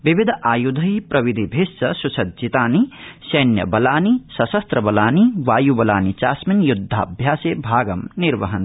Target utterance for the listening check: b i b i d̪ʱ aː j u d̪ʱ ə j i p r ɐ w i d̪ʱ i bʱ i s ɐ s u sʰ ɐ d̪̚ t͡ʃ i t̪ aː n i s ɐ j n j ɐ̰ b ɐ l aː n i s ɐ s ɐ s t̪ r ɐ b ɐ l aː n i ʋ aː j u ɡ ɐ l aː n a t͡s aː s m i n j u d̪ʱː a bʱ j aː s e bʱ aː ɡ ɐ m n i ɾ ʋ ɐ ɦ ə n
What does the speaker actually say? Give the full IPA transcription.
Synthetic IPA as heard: b i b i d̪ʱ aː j u d̪ʱ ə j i p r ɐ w i d̪ʱ i bʱ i s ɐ s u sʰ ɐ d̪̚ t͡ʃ i t̪ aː n i s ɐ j n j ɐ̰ b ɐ l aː n i s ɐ s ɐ s t̪ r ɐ b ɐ l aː n i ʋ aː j u b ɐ l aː n i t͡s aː s m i n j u d̪ʱː a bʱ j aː s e bʱ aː ɡ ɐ m n i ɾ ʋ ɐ ɦ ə n